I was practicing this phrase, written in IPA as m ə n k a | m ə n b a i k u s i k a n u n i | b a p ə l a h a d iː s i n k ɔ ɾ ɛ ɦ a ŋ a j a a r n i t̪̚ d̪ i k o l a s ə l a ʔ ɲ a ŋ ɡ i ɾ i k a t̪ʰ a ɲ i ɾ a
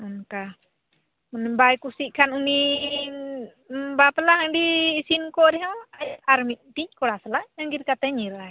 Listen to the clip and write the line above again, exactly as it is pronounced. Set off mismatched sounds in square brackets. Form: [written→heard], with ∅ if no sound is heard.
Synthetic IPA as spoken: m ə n k a | m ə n b a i k u s i k a n u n i | b a p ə l a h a d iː s i n k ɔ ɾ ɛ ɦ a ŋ a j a a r [n→m] i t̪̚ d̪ i k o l a s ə l a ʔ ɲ a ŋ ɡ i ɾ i k a [t̪ʰ→t̪] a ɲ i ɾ a